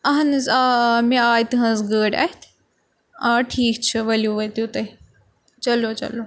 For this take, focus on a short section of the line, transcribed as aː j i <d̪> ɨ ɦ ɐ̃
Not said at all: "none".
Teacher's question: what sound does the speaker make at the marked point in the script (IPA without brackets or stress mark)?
t̪